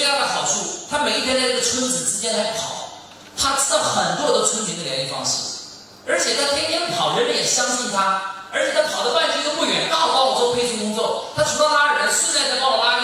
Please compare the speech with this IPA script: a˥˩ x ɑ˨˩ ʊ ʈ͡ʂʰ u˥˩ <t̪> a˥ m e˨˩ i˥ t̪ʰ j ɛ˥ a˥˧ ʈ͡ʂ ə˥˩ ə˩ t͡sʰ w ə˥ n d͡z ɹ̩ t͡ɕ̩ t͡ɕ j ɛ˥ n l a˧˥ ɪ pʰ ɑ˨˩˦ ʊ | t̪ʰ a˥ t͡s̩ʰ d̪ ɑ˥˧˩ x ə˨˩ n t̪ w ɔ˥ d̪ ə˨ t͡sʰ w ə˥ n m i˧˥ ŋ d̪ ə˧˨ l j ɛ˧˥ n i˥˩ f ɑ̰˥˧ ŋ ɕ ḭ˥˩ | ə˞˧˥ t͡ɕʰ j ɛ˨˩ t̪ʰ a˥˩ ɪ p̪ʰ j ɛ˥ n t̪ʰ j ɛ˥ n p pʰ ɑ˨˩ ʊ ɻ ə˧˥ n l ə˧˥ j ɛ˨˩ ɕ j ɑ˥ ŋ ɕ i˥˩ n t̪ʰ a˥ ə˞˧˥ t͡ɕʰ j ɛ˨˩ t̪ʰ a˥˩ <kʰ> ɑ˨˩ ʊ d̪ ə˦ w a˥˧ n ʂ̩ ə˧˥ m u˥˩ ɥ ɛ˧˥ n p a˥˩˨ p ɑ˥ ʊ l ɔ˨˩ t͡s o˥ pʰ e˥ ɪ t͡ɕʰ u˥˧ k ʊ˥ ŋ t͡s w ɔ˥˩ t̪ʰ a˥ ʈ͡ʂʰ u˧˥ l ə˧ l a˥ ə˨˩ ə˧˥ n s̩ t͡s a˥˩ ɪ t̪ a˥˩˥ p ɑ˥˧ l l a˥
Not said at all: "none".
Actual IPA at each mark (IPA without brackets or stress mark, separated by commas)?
t̪ʰ, pʰ